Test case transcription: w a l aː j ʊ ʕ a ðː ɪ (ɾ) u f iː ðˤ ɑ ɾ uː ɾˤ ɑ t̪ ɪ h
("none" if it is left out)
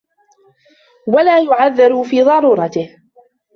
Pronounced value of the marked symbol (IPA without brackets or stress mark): ɾ